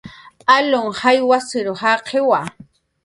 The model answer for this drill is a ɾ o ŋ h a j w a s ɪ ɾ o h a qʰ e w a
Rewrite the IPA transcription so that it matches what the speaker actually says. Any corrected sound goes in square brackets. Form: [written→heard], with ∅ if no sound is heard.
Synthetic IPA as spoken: a [ɾ→l] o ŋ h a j w a s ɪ ɾ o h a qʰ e w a